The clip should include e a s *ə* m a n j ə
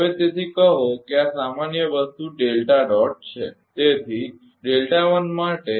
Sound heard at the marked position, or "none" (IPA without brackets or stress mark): a